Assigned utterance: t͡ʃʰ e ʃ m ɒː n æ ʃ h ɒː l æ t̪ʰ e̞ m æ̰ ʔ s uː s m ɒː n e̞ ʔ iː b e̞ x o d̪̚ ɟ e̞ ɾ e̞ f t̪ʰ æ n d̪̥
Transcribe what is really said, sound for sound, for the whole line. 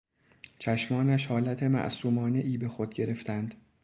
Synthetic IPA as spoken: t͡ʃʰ æ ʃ m ɒː n æ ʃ h ɒː l æ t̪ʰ e̞ m æ̰ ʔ s uː m ɒː n e̞ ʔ iː b e̞ x o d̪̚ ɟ e̞ ɾ e̞ f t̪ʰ æ n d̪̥